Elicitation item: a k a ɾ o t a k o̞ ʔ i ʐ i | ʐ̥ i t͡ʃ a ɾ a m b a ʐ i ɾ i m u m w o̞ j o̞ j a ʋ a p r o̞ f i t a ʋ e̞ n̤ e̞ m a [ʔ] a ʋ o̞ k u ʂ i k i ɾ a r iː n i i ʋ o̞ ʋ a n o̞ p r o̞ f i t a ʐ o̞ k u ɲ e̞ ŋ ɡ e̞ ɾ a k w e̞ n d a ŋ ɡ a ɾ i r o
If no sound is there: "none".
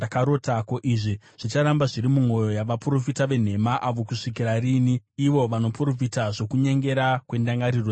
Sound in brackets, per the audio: ʔ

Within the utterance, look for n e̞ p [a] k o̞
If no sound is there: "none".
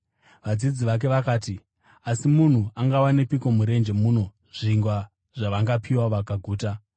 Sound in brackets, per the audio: i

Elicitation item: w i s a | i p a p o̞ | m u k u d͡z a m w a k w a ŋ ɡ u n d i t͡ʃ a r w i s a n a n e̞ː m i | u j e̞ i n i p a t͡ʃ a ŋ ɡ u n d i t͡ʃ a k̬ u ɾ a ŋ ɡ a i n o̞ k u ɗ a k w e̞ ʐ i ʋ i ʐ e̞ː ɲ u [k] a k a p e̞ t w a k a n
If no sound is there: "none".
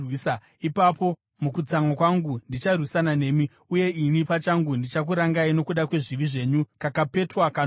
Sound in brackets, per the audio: k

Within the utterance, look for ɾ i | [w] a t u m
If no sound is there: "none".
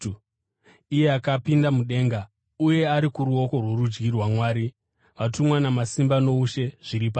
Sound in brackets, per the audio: ʋ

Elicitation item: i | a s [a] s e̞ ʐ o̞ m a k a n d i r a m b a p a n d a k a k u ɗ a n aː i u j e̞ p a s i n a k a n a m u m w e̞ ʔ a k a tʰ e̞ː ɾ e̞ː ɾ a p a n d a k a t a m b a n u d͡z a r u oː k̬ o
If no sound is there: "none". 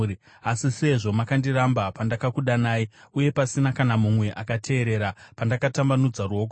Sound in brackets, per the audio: i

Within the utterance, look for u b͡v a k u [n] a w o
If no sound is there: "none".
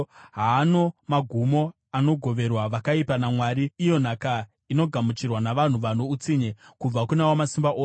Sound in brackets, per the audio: n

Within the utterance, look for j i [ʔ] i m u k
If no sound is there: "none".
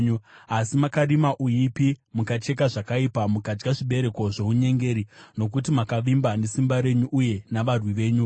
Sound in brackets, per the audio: p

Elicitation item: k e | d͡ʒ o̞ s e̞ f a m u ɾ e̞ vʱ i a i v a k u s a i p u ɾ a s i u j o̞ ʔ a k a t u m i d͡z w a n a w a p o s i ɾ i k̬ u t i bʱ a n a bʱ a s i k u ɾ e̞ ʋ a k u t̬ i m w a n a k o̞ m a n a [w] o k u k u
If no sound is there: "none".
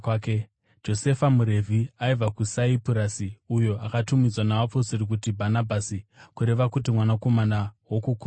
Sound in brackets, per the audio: w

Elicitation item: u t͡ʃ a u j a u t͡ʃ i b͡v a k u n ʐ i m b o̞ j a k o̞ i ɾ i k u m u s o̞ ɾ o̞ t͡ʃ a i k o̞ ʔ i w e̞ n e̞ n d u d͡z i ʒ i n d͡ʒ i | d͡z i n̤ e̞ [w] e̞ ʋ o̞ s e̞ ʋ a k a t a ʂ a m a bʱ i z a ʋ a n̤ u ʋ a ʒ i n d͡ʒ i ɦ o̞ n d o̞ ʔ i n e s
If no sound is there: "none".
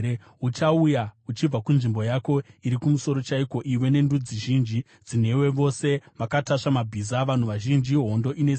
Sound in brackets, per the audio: w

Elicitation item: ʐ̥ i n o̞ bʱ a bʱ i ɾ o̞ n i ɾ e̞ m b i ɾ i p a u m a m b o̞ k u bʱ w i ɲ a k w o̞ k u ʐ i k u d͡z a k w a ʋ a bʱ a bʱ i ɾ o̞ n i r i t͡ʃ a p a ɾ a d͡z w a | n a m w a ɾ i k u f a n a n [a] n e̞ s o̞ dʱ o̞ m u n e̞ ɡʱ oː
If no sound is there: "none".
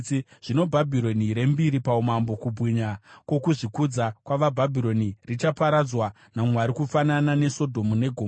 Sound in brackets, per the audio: a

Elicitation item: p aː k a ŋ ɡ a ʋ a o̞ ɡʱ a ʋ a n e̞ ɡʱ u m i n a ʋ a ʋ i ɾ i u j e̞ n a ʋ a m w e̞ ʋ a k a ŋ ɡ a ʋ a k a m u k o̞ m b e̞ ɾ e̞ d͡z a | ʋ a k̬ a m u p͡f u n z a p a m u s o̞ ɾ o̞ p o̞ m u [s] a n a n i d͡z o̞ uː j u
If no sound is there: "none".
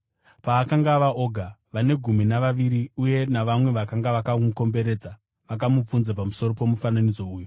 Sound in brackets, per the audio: f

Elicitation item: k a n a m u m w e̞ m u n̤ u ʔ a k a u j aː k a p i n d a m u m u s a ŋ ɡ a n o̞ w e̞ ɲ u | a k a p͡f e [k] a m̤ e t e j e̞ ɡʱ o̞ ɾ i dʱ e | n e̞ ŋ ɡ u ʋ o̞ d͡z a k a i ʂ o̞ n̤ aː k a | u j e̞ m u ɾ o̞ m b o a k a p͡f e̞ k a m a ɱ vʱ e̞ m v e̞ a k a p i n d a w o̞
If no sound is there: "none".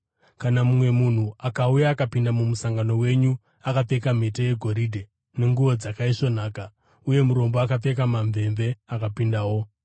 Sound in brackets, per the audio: k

